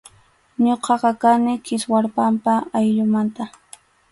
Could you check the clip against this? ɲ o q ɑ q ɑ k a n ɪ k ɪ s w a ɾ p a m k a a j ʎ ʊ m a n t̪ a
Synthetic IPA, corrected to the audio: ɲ o q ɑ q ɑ k a n ɪ k ɪ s w a ɾ p a m p a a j ʎ ʊ m a n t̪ a